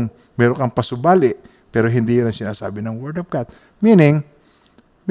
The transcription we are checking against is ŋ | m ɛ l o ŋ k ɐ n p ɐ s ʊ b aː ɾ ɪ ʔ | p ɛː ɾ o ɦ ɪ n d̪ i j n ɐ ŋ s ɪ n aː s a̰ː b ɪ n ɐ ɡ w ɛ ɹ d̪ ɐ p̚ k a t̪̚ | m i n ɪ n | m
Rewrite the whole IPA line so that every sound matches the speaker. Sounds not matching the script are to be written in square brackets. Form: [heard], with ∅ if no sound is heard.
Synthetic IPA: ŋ | m ɛ [ɾ] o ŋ k ɐ [ŋ] p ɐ s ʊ b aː [l] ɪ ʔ | p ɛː ɾ o ɦ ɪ n d̪ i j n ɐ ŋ s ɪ n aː s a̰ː b ɪ n ɐ [ŋ] w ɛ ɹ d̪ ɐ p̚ k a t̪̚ | m i n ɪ [ŋ] | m